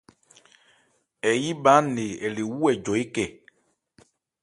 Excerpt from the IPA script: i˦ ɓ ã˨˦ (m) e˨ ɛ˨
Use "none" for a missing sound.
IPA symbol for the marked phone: n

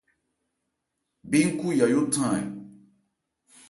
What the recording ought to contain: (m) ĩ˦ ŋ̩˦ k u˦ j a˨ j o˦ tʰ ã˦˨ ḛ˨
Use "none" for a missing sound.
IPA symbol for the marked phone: b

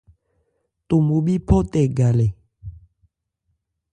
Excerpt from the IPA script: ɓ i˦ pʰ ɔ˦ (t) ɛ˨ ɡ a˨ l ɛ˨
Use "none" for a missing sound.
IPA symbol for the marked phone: t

